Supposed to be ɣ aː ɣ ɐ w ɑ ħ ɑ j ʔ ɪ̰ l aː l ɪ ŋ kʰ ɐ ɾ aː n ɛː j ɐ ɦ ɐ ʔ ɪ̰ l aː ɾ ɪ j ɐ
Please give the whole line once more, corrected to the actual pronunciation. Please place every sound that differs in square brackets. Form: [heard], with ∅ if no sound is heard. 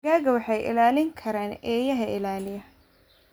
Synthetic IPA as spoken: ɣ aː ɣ ɐ w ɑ ħ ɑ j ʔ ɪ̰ l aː l ɪ ŋ kʰ ɐ ɾ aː n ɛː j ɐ ɦ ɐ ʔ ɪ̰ l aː [l] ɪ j ɐ

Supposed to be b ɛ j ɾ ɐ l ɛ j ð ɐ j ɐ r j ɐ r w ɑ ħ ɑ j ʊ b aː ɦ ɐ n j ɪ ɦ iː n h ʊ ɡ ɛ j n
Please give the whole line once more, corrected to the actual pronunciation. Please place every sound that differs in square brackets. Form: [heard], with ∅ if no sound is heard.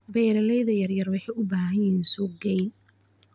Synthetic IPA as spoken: b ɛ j ɾ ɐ l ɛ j ð ɐ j ɐ r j ɐ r w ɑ ħ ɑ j ʊ b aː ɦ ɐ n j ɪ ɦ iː n [s] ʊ ɡ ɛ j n

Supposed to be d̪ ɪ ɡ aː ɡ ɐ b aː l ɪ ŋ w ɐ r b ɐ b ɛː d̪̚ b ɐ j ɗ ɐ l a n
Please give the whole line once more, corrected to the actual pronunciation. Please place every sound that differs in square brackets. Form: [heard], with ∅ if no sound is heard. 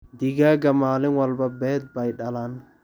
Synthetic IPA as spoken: d̪ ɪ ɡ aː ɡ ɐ [m] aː l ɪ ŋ w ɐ [l] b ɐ b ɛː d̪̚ b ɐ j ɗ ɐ l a n

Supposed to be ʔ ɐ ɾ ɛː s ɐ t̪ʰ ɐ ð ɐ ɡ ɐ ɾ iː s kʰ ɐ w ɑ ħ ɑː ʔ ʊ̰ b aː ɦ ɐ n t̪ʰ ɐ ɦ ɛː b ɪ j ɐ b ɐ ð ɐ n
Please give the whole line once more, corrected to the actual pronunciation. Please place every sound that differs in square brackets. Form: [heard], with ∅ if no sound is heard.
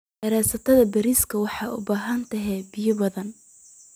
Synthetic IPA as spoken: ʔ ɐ ɾ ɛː s ɐ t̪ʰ ɐ ð ɐ [b] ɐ ɾ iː s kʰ ɐ w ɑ ħ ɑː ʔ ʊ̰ b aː ɦ ɐ n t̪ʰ ɐ ɦ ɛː b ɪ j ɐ b ɐ ð ɐ n

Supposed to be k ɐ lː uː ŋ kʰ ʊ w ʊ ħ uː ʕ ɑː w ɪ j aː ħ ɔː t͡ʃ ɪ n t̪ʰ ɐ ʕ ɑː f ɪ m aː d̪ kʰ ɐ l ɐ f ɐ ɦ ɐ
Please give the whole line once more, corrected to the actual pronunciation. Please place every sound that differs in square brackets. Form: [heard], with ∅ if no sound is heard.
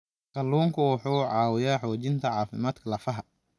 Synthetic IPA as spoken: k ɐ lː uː ŋ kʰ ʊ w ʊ ħ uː ʕ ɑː w ɪ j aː ħ ɔː t͡ʃ ɪ n t̪ʰ ɐ ʕ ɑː f ɪ m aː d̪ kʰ ɐ l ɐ f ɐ ɦ ɐ

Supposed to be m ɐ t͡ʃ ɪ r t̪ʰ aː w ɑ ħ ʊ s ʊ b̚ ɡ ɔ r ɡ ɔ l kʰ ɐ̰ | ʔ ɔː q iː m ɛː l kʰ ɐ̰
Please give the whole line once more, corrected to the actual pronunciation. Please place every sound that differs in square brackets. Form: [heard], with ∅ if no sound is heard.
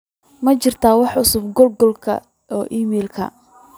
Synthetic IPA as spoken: m ɐ t͡ʃ ɪ r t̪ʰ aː w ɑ ħ ʊ s ʊ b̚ ɡ ɔ [l] ɡ ɔ l kʰ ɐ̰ | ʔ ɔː [ʔ] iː m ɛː l kʰ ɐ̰

